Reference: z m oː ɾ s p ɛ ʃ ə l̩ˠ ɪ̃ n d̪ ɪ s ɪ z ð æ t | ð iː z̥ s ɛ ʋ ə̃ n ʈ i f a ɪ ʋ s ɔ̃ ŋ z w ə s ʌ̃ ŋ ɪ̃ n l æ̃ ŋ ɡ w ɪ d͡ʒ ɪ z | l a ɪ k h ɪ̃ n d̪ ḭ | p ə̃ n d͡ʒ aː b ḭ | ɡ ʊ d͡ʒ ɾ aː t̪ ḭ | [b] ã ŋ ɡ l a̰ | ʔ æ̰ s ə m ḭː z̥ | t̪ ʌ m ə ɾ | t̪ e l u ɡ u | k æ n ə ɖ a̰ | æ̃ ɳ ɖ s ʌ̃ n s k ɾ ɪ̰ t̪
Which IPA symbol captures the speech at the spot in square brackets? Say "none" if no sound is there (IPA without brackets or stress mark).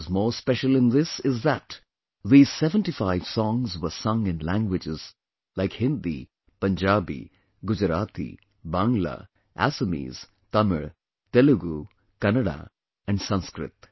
b